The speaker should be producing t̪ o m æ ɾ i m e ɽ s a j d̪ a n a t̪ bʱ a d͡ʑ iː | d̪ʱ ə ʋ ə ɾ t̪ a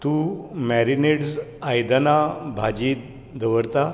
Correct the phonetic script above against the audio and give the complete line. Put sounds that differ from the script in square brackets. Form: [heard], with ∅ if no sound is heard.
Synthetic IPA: t̪ [u] m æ ɾ i [n] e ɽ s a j d̪ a n a [∅] bʱ a d͡ʑ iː | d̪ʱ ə ʋ ə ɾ t̪ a